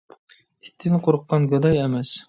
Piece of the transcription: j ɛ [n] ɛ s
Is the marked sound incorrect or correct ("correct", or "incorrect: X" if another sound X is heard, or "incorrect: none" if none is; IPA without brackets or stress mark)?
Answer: incorrect: m